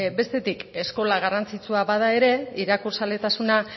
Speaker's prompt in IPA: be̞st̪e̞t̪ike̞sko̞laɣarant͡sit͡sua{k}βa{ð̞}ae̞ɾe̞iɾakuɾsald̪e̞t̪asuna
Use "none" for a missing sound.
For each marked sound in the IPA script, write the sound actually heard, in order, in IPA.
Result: none, ð̞

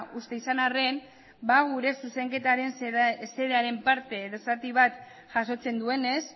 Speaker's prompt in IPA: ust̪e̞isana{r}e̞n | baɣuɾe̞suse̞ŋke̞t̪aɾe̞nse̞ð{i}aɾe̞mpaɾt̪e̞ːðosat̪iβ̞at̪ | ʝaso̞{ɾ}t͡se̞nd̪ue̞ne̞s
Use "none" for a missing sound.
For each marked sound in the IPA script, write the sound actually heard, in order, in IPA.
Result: r, e, none

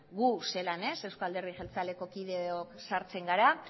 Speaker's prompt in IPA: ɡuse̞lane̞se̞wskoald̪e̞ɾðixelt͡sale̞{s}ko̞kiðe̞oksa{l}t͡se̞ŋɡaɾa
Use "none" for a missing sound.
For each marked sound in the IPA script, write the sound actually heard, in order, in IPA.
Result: none, ɾ

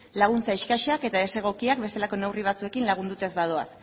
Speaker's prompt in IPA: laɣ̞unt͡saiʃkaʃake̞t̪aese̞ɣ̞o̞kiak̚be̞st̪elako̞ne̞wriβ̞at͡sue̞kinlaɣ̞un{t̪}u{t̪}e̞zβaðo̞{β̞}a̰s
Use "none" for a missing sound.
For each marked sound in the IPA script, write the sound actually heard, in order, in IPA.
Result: d̪, t̪, none

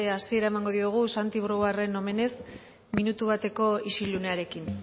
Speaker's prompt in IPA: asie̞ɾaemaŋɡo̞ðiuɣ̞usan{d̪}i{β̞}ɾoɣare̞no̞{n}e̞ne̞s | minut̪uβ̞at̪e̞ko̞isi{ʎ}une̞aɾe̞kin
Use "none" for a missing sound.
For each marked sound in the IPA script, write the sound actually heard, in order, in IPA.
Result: t̪, β̞, m, l

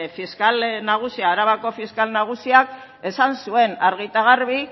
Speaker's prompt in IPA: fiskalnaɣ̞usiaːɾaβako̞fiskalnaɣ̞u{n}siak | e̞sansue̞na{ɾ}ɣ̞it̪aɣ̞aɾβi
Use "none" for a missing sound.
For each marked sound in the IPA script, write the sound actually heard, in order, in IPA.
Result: none, ɾ

